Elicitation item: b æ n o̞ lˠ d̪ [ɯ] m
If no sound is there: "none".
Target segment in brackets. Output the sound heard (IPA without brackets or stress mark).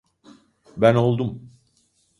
u